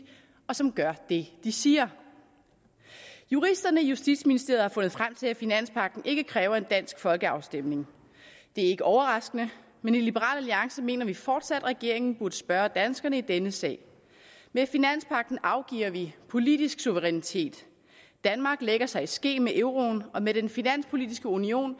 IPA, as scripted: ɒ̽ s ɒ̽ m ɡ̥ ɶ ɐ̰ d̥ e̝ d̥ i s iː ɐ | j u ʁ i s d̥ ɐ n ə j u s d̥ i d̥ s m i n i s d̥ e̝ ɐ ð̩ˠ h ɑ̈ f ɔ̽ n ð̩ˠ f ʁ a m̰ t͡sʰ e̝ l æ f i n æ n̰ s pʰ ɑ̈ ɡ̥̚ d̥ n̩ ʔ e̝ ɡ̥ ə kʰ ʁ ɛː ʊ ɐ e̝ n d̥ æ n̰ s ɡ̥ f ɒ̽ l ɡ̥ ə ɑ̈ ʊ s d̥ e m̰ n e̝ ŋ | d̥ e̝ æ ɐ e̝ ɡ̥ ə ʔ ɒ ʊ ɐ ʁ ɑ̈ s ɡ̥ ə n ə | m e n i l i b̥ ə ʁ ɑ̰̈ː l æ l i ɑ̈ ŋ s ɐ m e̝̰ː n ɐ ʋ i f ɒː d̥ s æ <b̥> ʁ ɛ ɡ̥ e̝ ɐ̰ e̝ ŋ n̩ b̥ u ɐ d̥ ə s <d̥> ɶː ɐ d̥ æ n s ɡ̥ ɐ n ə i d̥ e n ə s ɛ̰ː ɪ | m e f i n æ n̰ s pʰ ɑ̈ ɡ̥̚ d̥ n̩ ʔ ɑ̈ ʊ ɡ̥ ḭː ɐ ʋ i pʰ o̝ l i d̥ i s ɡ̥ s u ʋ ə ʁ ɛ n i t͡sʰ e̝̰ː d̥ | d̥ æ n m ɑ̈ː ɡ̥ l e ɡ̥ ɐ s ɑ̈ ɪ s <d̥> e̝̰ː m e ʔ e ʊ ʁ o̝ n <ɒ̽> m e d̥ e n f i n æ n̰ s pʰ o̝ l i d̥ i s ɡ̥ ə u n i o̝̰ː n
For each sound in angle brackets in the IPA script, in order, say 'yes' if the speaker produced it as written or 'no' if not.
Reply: no, no, no, yes

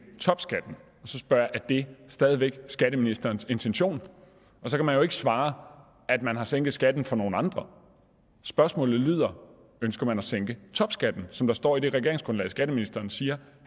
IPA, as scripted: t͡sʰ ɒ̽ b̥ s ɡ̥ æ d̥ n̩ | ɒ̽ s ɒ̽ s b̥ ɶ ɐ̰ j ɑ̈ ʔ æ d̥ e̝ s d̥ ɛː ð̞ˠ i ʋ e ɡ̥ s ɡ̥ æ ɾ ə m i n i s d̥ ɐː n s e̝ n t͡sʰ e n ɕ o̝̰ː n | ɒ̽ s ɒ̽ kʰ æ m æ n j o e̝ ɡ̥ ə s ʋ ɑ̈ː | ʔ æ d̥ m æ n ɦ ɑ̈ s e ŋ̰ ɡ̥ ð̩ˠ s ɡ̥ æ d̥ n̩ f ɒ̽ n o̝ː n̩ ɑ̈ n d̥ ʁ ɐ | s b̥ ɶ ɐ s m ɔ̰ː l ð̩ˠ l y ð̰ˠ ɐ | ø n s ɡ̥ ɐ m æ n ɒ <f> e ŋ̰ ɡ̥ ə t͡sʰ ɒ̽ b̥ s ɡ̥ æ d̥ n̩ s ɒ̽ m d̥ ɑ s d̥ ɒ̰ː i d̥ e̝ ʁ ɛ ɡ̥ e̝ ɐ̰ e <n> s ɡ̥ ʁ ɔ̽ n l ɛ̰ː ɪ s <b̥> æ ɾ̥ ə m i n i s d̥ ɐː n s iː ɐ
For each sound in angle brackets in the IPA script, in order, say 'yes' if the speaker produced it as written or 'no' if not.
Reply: no, no, no

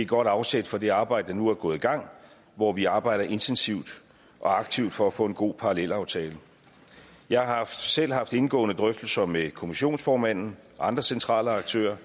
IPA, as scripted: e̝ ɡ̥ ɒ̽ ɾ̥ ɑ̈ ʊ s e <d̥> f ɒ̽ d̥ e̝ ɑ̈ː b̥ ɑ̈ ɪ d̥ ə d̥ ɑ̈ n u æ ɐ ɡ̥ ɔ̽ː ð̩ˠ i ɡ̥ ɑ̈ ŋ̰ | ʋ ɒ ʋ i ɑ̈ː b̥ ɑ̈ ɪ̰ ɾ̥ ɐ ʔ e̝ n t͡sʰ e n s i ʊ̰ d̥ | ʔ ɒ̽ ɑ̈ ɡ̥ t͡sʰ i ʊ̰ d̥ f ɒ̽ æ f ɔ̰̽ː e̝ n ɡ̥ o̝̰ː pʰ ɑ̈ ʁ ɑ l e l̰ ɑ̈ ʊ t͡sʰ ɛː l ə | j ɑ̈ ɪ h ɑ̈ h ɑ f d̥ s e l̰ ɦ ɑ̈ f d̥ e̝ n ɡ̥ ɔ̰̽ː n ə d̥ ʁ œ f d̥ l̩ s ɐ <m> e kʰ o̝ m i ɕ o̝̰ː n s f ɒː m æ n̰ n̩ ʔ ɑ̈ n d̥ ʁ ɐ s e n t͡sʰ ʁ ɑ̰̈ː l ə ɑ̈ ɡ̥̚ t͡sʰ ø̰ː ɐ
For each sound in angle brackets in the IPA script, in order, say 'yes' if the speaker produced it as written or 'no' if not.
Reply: yes, yes

